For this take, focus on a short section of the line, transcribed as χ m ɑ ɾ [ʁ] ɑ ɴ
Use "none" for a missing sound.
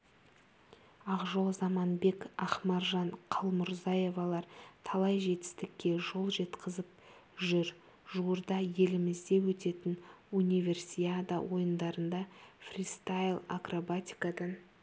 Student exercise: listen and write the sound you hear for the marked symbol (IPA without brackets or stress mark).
ʒ